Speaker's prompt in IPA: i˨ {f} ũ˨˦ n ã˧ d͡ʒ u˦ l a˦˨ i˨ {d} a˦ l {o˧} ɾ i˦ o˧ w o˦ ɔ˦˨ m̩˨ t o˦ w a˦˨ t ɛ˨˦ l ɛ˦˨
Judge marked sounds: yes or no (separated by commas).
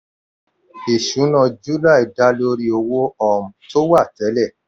no, yes, yes